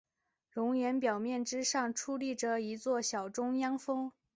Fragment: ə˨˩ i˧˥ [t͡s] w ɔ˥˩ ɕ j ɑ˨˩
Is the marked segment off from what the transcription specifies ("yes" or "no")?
no